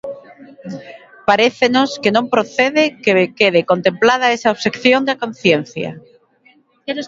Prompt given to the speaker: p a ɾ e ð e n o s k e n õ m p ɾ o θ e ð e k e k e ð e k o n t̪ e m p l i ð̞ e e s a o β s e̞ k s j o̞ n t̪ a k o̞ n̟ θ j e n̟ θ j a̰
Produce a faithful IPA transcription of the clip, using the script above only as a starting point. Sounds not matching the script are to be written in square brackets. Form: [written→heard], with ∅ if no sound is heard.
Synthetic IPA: p a ɾ e [ð→θ] e n o s k e n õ m p ɾ o θ e ð e k e k e ð e k o n t̪ e m p l [i→a] ð̞ [e→a] e s a o β s e̞ k [s→θ] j o̞ n [t̪→d̪] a k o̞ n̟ θ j e n̟ θ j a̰

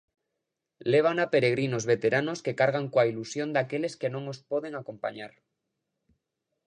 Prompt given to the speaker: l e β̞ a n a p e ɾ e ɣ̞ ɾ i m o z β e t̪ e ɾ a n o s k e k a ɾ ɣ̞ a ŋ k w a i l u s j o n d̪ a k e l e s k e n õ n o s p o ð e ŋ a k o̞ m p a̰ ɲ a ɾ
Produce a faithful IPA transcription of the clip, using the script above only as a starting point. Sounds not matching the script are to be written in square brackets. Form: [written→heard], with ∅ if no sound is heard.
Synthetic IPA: l e β̞ a n a p e ɾ e ɣ̞ ɾ i [m→n] o z β e t̪ e ɾ a n o s k e k a ɾ ɣ̞ a ŋ k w a i l u s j o n d̪ a k e l e s k e n õ [n→ŋ] o s p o ð e ŋ a k o̞ m p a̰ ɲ a ɾ

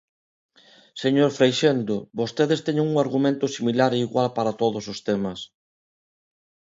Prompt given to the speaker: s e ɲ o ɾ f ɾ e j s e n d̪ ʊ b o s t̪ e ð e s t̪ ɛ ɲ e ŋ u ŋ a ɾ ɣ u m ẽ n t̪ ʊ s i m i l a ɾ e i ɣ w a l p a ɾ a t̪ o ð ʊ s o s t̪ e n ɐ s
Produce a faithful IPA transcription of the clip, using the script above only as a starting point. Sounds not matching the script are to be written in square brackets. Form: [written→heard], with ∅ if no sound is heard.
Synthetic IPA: s e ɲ o ɾ f ɾ e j [s→ʃ] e n d̪ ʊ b o s t̪ e ð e s t̪ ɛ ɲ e ŋ u ŋ a ɾ ɣ u m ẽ n t̪ ʊ s i m i l a ɾ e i ɣ w a l p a ɾ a t̪ o ð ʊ s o s t̪ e [n→m] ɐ s

